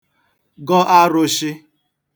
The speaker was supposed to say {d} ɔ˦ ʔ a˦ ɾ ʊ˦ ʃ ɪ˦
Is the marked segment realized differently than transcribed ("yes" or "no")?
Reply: yes